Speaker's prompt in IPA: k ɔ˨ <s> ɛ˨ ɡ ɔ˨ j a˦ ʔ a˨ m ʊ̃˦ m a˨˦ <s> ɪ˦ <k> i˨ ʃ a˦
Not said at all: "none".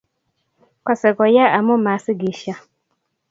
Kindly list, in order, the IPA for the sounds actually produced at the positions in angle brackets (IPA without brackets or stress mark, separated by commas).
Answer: s, s, ɡ